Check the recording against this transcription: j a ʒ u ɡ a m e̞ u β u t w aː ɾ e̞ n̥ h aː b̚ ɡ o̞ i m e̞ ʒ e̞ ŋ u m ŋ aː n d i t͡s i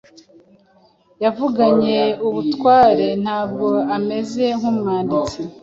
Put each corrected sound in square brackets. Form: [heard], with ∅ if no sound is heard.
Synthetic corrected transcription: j a [v] u ɡ a [ɲ] e̞ u β u t w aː ɾ e̞ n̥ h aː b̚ ɡ o̞ [a] m e̞ [z] e̞ ŋ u m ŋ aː n d i t͡s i